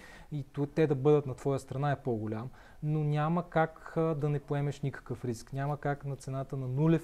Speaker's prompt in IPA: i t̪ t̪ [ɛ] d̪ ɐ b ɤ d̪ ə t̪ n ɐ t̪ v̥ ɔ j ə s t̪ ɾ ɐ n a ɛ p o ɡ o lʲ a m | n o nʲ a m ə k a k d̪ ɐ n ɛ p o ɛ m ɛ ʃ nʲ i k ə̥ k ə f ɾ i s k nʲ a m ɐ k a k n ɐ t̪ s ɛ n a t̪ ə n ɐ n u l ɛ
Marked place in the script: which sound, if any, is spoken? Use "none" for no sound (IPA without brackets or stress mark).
ɛ